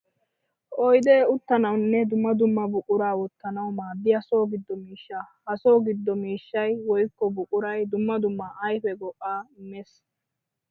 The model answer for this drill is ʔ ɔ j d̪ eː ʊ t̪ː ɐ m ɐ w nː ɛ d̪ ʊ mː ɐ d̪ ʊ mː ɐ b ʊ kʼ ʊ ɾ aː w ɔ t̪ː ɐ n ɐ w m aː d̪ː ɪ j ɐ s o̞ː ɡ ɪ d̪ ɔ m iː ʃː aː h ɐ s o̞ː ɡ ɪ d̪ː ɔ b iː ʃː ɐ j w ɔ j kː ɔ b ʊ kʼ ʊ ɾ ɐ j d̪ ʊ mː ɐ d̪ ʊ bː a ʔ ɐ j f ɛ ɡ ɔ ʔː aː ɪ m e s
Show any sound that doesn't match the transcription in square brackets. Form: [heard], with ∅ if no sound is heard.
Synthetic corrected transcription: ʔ ɔ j d̪ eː ʊ t̪ː ɐ [n] ɐ w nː ɛ d̪ ʊ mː ɐ d̪ ʊ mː ɐ b ʊ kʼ ʊ ɾ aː w ɔ t̪ː ɐ n ɐ w m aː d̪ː ɪ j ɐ s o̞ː ɡ ɪ [d̪ː] ɔ m iː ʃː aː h ɐ s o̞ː ɡ ɪ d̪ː ɔ [m] iː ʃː ɐ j w ɔ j kː ɔ b ʊ kʼ ʊ ɾ ɐ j d̪ ʊ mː ɐ d̪ ʊ [mː] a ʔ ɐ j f ɛ ɡ ɔ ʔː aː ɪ m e s